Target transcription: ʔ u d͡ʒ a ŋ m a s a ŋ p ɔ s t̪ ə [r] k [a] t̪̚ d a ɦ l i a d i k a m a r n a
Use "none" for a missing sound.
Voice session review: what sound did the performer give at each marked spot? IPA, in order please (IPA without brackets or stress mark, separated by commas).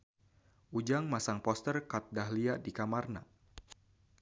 r, a